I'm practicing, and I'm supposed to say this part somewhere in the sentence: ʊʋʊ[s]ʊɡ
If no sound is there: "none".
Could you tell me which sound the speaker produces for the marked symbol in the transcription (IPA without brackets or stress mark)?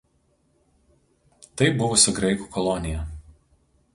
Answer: s